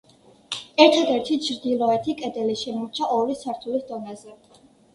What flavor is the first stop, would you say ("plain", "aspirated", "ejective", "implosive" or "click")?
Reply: aspirated